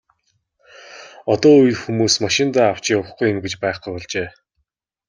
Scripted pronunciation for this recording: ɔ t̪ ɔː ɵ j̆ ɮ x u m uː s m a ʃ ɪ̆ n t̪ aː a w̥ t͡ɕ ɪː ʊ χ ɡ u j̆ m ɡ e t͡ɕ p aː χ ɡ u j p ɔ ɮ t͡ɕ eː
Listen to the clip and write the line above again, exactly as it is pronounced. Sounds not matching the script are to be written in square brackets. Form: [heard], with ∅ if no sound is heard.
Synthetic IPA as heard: ɔ t̪ ɔː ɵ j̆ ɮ x u m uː s m a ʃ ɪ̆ n t̪ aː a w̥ t͡ɕ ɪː ʊ χ ɡ u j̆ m ɡ e t͡ɕ p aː χ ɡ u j p ɔ ɮ t͡ɕ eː